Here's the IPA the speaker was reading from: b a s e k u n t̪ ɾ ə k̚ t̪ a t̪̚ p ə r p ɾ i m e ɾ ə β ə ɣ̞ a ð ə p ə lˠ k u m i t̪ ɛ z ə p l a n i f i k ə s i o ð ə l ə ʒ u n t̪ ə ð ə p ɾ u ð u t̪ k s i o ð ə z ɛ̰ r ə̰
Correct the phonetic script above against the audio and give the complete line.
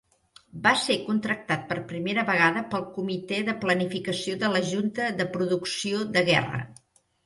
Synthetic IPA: b a s e k u n t̪ ɾ ə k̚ t̪ a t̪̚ p ə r p ɾ i m e ɾ ə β ə ɣ̞ a ð ə p ə lˠ k u m i t̪ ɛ ð ə p l ə n i f i k ə s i o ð ə l ə ʒ u n t̪ ə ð ə p ɾ u ð u k s i o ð ə ɣ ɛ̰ r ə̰